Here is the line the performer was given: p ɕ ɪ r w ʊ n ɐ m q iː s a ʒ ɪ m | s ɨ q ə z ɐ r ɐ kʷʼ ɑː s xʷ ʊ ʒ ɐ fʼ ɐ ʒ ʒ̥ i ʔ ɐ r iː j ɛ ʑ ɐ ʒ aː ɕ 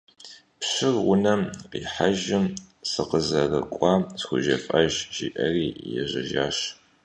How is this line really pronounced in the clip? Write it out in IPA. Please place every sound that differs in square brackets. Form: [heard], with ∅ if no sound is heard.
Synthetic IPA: p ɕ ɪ r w ʊ n ɐ m q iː [ħ] a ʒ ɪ m | s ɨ q ə z ɐ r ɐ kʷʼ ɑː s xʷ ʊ ʒ ɐ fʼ ɐ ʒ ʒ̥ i ʔ ɐ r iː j ɛ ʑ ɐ ʒ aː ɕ